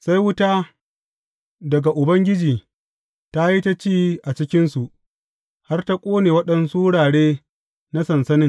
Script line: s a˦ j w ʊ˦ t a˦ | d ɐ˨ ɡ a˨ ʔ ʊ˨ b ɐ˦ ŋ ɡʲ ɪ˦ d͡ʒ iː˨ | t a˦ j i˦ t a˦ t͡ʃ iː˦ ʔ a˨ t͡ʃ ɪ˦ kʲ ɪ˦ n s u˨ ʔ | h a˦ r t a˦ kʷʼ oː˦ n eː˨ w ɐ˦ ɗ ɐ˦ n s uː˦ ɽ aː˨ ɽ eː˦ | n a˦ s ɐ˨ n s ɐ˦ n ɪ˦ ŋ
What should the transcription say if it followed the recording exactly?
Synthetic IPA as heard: s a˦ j w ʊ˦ t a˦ | d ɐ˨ ɡ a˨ ʔ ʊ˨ b ɐ˦ ŋ ɡʲ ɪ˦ d͡ʒ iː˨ | t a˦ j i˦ t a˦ t͡ʃ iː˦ ʔ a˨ t͡ʃ ɪ˦ kʲ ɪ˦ n s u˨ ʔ | h a˦ r t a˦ kʷʼ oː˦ n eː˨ w ɐ˦ ɗ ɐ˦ n s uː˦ ɽ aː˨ ɽ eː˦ | n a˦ s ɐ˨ n s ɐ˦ n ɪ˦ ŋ